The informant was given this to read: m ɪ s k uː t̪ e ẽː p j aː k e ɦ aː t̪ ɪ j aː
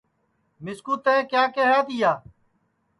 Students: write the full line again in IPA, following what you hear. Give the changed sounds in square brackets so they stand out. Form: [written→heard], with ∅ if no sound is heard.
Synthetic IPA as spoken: m ɪ s k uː t̪ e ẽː [p→k] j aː k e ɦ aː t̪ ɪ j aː